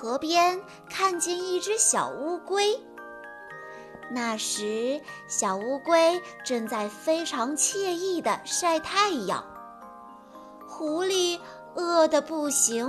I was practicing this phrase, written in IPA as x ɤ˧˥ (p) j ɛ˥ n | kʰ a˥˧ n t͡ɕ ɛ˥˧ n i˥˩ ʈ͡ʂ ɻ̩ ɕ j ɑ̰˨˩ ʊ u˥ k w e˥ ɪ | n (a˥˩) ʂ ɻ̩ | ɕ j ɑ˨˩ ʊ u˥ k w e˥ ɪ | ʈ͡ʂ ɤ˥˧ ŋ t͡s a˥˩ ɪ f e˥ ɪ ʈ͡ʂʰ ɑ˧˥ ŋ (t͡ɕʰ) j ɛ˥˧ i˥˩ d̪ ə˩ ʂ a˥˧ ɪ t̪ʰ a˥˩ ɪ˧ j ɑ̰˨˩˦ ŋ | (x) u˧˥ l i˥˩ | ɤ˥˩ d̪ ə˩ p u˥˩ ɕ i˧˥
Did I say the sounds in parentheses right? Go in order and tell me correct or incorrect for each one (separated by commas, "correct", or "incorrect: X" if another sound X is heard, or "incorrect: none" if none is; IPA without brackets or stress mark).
correct, correct, correct, correct